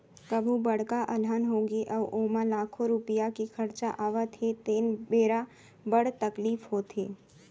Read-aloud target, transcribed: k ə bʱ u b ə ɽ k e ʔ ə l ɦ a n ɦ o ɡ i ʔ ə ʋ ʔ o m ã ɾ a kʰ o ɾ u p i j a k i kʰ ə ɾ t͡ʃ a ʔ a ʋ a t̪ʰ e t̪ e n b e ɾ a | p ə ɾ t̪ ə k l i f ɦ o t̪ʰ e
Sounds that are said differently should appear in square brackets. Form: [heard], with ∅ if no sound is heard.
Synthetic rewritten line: k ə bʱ u b ə ɽ k [a] ʔ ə l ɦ a n ɦ o ɡ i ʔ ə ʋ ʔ o m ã [l] a kʰ o ɾ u p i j a k i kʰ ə ɾ t͡ʃ a ʔ a ʋ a t̪ʰ e t̪ e n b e ɾ a | [b] ə [ɽ] t̪ ə k l i f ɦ o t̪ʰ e